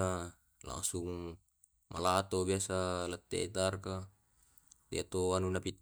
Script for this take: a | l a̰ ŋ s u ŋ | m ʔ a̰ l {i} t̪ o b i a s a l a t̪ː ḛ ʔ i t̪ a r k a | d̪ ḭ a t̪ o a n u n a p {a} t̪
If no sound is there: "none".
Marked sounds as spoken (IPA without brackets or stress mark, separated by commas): a, i